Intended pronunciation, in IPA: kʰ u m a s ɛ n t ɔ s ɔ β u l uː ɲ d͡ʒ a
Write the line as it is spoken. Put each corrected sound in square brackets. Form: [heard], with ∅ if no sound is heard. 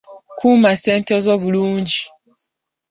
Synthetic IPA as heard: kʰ u m a s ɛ n t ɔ [z] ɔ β u l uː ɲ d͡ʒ [i]